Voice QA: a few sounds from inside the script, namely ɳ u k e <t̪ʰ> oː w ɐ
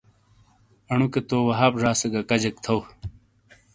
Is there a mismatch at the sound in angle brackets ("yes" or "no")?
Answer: yes